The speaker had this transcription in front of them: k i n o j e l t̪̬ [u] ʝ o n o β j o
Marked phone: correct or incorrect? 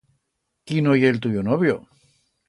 correct